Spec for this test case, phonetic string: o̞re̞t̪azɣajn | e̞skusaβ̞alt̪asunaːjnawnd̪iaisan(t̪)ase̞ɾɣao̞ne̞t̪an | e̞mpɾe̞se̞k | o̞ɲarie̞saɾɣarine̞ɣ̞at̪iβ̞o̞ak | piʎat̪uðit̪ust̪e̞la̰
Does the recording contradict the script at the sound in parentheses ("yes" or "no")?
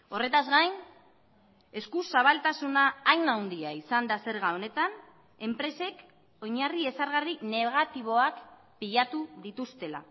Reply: yes